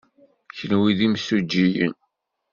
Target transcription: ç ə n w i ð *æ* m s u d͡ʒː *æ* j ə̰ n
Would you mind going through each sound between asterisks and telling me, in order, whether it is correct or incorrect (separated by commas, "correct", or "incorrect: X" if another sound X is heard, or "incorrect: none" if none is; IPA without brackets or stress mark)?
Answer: incorrect: i, incorrect: i